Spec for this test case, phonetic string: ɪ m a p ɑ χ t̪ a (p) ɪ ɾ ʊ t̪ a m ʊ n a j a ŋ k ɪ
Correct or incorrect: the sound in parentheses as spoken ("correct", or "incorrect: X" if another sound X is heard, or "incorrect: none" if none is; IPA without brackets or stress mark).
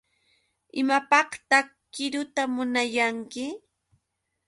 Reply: incorrect: k